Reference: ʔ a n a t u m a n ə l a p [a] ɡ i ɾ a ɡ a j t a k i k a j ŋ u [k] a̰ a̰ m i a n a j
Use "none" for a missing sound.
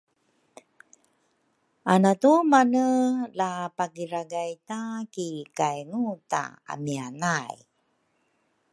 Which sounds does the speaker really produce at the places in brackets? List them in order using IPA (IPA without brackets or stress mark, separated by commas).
a, t